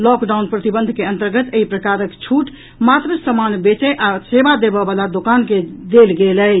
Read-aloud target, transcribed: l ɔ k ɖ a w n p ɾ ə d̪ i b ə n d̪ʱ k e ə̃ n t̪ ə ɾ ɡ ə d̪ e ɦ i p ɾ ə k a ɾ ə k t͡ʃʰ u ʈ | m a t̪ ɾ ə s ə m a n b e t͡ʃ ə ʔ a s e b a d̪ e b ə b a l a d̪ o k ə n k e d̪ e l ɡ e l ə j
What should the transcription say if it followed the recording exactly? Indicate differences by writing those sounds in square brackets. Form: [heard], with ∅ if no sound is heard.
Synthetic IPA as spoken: l ɔ k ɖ a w n p ɾ ə [t̪] i b ə n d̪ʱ k e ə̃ n t̪ ə ɾ ɡ ə [t̪] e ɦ i p ɾ ə k a ɾ ə k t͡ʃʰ u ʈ | m a t̪ ɾ ə s ə m a n b e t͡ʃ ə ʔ a s e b a d̪ e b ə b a l a d̪ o k [a] n k e d̪ e l ɡ e l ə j